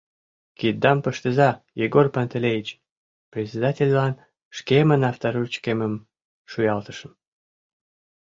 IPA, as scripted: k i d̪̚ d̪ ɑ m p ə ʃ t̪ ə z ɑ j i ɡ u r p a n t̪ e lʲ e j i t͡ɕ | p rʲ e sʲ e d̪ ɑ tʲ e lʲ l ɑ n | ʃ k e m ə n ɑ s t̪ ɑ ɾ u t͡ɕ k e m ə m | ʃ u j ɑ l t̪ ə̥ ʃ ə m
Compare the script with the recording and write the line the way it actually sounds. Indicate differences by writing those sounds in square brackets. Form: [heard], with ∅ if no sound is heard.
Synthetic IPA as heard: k i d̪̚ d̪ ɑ m p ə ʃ t̪ ə z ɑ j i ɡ [o] r p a n t̪ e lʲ e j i t͡ɕ | p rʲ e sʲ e d̪ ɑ tʲ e lʲ l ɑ n | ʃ k e m ə n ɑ [f] t̪ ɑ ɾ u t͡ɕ k e m ə m | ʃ u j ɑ l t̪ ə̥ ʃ ə m